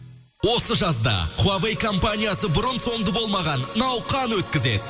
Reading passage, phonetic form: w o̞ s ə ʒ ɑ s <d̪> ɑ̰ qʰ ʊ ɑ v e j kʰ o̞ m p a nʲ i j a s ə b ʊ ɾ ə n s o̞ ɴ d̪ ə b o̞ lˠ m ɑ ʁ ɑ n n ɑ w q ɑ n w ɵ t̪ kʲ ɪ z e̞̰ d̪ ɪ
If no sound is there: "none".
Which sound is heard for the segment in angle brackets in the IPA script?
d̪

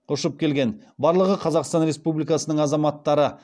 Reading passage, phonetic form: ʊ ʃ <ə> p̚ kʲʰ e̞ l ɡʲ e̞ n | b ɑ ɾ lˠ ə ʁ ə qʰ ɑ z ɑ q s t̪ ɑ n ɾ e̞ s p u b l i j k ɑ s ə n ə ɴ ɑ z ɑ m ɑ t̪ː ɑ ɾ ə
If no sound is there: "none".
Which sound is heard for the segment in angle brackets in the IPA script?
ə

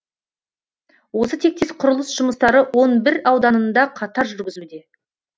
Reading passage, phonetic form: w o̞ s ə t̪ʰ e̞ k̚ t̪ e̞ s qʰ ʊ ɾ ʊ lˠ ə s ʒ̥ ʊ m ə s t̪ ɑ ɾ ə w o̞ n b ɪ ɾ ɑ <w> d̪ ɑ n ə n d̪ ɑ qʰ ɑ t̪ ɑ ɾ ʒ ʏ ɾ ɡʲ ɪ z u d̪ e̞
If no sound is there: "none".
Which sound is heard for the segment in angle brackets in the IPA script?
w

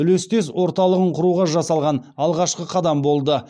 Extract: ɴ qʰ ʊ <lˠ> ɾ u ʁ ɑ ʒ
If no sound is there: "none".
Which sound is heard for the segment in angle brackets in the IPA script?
none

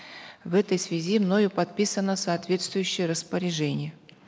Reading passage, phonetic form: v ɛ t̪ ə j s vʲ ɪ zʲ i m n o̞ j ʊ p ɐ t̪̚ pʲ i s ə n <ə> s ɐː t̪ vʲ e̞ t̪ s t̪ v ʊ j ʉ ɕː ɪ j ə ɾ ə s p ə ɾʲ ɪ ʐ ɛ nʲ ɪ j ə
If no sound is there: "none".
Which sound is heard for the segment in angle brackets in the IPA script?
ə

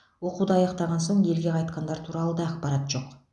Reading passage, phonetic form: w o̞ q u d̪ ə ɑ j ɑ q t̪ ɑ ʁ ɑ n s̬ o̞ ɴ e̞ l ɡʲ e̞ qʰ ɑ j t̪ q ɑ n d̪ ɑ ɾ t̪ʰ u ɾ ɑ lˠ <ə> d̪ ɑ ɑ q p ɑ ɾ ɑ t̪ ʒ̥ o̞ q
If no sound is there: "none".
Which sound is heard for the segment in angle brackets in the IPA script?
ə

